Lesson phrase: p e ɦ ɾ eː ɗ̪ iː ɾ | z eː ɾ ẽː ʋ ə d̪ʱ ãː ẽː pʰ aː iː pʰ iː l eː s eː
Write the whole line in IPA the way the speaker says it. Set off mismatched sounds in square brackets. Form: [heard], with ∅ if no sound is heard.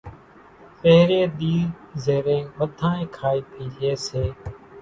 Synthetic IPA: p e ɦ ɾ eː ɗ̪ iː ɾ | z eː ɾ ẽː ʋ ə d̪ʱ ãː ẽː [kʰ] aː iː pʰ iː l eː s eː